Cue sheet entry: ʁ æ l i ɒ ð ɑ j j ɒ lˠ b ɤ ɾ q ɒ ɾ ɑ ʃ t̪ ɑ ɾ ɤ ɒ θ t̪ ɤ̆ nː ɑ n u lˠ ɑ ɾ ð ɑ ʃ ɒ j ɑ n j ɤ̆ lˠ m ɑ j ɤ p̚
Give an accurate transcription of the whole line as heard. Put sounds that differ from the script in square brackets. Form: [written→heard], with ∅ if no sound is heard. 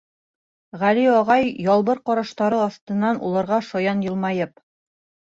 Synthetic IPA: ʁ æ l i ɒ [ð→ʁ] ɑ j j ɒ lˠ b ɤ ɾ q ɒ ɾ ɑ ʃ t̪ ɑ ɾ ɤ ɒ θ t̪ ɤ̆ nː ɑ n u lˠ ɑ ɾ [ð→ʁ] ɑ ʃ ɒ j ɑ n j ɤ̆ lˠ m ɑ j ɤ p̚